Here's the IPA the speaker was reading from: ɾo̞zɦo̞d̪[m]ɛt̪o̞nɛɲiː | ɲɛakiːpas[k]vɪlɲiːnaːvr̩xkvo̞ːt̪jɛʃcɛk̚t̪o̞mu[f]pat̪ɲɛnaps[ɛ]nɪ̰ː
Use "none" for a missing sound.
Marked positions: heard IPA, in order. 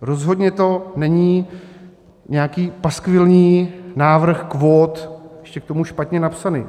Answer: ɲ, k, ʃ, a

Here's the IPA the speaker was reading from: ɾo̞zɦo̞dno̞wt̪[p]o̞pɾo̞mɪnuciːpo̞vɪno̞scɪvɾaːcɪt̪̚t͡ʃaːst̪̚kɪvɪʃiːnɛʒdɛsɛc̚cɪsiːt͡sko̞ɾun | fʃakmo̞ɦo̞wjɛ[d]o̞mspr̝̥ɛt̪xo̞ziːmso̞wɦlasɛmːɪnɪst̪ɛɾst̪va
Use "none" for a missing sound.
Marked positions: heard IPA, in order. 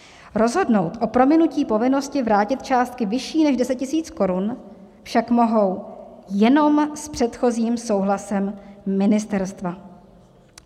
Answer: ʔ, n

